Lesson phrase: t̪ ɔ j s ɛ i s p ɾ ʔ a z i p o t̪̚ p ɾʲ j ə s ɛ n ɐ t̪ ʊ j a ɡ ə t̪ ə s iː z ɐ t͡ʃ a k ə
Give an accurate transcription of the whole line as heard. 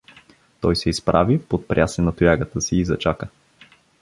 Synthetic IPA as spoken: t̪ ɔ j s ɛ i s p ɾ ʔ a v i p o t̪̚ p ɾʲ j a s ɛ n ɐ t̪ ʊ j a ɡ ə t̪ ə s iː z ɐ t͡ʃ a k ə